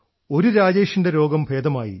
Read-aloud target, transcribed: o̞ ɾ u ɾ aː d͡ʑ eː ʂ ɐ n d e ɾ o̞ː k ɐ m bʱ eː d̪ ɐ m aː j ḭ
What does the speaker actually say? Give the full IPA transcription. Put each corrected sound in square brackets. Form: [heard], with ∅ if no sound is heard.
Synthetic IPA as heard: o̞ ɾ u ɾ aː d͡ʑ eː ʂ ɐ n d e ɾ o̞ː [ɡ] ɐ m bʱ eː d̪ ɐ m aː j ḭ